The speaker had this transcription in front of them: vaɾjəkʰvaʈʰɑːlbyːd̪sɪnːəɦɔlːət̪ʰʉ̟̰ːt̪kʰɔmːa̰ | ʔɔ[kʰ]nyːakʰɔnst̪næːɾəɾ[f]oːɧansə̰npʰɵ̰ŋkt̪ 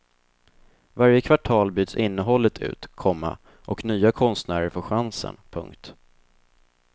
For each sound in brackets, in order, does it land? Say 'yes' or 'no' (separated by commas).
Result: no, yes